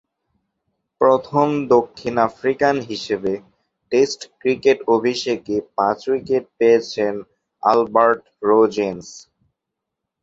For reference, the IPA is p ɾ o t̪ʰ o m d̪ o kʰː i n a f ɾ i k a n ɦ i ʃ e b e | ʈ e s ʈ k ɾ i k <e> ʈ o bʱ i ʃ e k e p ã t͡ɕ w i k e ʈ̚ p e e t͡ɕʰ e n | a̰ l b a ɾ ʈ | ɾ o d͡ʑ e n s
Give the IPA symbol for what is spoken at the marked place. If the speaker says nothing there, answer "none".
e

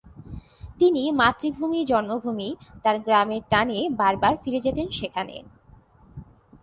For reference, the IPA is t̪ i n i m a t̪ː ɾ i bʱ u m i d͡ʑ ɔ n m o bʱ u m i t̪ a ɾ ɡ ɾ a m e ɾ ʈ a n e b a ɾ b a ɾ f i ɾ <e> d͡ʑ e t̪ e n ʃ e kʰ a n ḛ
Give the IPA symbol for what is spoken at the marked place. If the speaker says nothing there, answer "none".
e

